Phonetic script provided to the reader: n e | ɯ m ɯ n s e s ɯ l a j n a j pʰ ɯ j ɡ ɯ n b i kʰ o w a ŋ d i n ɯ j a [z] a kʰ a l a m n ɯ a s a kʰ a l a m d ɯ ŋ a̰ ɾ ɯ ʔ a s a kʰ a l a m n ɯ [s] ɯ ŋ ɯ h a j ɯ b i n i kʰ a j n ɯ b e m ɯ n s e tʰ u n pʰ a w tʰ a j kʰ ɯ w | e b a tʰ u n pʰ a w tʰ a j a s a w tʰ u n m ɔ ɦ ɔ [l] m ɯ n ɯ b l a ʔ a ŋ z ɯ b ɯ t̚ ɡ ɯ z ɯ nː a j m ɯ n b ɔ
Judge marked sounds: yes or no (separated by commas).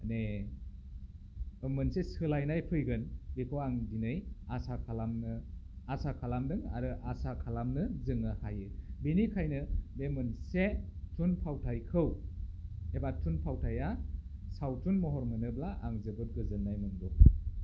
no, no, no